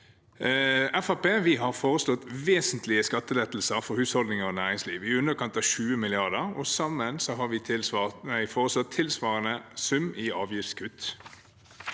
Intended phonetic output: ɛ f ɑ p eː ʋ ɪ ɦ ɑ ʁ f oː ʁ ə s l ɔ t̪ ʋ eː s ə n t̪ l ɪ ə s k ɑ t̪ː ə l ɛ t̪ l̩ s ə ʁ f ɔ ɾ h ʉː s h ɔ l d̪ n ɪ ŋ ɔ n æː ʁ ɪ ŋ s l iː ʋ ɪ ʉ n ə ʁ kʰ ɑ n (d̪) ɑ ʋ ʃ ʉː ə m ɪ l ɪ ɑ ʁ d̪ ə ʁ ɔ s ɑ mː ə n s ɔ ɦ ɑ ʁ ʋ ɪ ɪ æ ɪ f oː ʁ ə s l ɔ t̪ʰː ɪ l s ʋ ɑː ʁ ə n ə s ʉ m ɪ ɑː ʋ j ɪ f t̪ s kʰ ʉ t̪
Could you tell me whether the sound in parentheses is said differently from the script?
yes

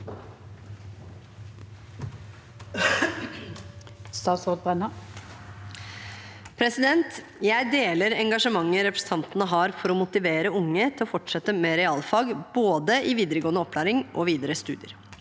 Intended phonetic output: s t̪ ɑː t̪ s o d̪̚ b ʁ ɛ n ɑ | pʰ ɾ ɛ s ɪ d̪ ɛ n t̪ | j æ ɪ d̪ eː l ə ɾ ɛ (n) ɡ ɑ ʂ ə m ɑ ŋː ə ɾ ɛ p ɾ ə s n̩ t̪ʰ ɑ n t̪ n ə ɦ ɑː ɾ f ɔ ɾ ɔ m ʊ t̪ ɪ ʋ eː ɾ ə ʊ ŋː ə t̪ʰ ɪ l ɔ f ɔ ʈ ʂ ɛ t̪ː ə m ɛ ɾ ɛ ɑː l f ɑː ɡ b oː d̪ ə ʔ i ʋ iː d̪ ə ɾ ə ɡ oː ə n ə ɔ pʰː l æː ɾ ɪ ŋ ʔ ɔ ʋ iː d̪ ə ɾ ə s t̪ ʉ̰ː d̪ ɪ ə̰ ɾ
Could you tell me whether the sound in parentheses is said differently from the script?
yes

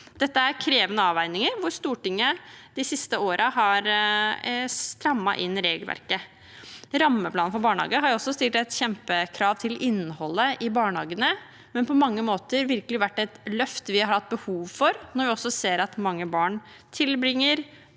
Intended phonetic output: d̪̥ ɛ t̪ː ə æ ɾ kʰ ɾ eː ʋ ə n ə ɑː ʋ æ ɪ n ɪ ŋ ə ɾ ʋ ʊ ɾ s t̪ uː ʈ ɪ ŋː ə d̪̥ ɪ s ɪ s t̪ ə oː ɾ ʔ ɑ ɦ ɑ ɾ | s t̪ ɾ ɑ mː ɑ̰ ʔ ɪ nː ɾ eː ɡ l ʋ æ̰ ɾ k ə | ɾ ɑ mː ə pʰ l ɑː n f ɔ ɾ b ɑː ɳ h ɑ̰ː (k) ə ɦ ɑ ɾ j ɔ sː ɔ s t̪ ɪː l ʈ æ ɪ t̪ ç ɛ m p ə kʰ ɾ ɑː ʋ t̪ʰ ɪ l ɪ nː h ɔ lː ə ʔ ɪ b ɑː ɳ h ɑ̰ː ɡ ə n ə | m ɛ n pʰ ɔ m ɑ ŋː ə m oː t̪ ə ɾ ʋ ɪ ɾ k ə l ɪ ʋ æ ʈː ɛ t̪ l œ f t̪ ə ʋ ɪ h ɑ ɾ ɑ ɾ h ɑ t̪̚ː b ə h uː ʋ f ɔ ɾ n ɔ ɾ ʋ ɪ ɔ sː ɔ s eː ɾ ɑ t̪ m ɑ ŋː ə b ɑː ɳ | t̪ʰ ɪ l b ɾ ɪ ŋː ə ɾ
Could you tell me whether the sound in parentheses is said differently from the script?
yes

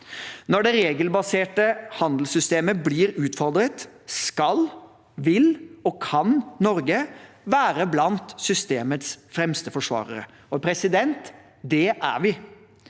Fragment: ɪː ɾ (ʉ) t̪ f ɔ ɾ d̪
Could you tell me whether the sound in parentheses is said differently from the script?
yes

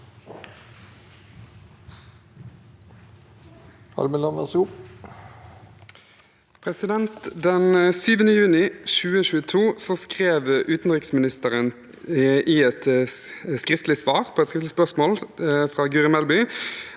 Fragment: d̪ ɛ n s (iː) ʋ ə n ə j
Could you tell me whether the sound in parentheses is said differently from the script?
yes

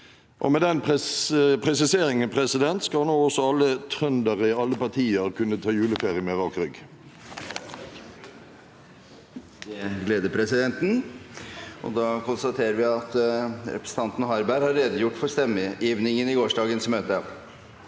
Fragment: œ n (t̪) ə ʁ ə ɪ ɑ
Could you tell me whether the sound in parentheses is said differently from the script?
yes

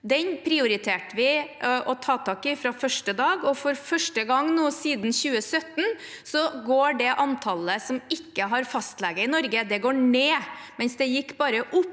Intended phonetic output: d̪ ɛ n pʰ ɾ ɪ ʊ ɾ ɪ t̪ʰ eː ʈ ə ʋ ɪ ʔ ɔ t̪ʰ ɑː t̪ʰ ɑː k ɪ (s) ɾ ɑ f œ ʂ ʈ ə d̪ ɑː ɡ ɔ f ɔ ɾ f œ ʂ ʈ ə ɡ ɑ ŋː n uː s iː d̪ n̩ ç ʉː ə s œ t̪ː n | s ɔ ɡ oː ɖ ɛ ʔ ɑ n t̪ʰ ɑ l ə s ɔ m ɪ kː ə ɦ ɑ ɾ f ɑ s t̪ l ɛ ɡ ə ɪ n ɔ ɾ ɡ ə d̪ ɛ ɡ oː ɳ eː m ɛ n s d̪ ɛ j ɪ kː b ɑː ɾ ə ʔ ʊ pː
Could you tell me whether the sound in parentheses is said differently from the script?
yes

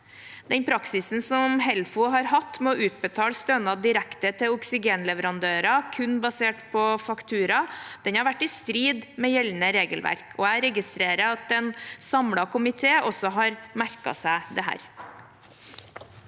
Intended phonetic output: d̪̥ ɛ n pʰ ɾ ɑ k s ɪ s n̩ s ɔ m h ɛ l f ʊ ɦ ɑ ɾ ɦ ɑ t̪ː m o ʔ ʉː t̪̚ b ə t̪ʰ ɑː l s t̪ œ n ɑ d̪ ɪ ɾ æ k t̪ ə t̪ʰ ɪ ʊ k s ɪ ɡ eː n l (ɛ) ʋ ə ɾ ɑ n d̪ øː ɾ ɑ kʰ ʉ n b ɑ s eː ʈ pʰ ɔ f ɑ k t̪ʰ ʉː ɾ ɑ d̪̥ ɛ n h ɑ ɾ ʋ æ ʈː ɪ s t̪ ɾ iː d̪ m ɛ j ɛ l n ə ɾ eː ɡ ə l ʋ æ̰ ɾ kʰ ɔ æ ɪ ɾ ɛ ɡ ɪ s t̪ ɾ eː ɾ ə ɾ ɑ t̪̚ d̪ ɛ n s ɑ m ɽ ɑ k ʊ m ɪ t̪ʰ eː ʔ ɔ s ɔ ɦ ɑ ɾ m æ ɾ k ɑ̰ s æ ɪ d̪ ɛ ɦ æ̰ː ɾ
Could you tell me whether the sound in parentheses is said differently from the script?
no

